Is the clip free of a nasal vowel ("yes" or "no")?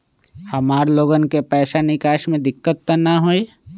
no